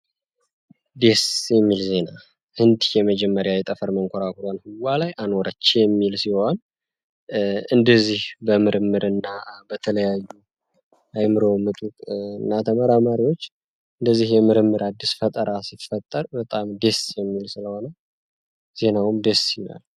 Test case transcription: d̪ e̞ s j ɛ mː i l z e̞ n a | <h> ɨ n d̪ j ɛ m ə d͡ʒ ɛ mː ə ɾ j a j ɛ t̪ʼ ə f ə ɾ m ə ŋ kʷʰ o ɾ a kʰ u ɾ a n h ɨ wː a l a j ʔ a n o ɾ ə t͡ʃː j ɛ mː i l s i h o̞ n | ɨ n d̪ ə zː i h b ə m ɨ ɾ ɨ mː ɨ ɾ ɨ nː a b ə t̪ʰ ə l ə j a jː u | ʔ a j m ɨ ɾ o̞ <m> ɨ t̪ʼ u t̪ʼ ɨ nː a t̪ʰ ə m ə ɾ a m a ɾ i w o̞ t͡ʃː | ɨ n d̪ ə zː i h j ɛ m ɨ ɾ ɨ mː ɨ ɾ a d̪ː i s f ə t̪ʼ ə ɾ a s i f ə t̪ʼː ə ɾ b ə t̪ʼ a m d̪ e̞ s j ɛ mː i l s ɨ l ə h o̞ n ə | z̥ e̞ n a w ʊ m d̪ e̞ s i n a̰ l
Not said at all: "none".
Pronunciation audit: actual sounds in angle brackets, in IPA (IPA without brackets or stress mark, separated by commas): h, m